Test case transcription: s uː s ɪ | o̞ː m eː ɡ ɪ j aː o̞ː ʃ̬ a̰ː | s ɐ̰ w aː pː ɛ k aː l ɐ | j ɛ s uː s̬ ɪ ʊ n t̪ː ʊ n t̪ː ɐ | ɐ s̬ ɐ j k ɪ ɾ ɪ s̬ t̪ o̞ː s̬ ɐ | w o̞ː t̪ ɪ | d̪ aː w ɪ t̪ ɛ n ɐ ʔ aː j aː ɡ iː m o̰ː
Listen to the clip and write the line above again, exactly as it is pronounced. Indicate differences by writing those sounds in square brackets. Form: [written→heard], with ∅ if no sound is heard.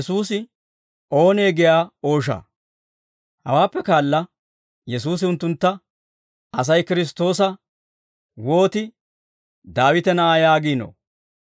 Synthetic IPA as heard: s uː s ɪ | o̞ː [m→n] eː ɡ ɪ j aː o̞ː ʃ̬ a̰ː | [s→h] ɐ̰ w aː pː ɛ k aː [l→lː] ɐ | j ɛ s uː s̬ ɪ ʊ n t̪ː ʊ n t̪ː ɐ | ɐ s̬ ɐ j k ɪ ɾ ɪ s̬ t̪ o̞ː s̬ ɐ | w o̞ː t̪ ɪ | d̪ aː w ɪ t̪ ɛ n ɐ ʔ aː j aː ɡ iː [m→n] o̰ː